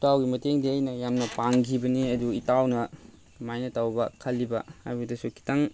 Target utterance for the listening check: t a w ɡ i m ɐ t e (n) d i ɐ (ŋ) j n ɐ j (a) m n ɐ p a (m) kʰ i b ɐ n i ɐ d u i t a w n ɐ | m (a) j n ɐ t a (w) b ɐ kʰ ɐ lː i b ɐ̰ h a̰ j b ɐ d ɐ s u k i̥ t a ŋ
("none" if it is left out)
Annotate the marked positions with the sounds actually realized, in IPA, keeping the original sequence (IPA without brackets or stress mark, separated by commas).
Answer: ŋ, none, a, ŋ, a, w